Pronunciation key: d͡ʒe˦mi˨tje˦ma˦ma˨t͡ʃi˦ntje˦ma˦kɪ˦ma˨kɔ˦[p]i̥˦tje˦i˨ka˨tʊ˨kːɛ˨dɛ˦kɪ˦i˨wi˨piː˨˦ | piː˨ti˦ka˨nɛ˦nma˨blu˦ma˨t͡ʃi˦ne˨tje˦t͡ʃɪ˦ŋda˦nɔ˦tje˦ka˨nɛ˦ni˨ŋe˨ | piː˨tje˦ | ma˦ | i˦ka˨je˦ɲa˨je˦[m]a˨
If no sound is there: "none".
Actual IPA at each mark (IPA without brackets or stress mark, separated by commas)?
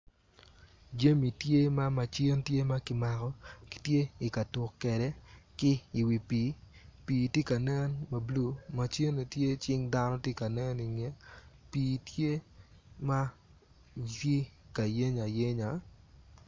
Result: k, ɲ